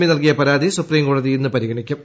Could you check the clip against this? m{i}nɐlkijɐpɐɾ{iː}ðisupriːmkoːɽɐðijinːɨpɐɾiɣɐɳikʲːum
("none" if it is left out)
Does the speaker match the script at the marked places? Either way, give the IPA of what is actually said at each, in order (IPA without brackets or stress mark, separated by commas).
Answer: i, aː